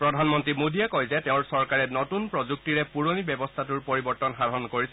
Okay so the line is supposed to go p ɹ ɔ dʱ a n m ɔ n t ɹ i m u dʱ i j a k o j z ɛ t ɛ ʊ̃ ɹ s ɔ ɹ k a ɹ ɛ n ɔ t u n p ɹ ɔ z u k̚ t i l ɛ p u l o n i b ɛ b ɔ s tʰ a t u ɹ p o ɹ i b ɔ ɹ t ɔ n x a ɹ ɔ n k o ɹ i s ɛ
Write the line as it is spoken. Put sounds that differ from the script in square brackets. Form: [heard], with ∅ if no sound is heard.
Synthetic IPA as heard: p ɹ ɔ dʱ a n m ɔ n t ɹ i m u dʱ i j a k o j z ɛ t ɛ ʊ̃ ɹ s ɔ ɹ k a ɹ ɛ n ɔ t u n p ɹ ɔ z u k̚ t i [ɹ] ɛ p u [ɹ] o n i b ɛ b ɔ s tʰ a t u ɹ p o ɹ i b ɔ ɹ t ɔ n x a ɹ ɔ n k o ɹ i s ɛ